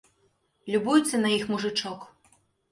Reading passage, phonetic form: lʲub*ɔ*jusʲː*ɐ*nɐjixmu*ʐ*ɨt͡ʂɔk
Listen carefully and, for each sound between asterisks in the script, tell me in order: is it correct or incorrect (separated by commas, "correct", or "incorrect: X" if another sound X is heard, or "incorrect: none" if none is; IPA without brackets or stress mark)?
incorrect: u, correct, correct